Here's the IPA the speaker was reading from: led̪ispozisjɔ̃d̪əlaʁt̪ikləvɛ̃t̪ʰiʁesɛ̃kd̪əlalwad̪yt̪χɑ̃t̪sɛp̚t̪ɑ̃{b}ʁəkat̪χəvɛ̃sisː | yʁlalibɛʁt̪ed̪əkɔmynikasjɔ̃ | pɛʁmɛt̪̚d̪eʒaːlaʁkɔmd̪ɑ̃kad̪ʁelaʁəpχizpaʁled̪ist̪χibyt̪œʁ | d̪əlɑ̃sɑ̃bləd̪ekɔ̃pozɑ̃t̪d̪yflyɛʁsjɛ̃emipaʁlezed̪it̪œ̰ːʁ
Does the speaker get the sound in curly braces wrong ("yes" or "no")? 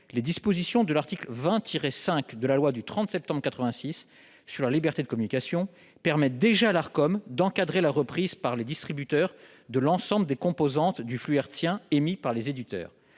no